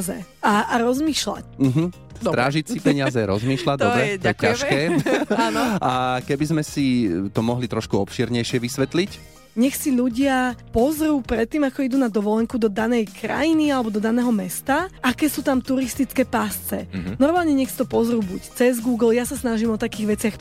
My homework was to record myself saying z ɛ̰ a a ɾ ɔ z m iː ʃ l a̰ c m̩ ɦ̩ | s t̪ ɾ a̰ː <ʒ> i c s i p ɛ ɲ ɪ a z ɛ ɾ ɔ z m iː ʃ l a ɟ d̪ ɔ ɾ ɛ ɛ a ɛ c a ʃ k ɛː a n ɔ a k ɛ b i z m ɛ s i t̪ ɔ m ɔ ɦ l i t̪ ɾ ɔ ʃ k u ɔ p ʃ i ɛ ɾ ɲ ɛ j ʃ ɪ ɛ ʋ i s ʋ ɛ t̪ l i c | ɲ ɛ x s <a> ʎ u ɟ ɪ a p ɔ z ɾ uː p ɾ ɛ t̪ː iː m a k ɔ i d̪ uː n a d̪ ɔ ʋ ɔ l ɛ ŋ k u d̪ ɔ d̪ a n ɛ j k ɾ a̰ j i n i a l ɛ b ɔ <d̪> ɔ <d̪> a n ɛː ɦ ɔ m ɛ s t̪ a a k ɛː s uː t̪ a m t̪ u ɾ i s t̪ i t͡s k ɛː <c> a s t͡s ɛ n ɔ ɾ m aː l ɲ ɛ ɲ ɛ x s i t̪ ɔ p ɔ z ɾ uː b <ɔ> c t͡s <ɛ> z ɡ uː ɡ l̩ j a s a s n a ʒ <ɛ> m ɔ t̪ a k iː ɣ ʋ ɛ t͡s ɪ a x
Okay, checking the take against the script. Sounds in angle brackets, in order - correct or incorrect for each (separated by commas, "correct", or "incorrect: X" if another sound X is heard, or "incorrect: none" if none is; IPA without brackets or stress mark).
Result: correct, incorrect: i, correct, correct, incorrect: p, incorrect: u, correct, incorrect: i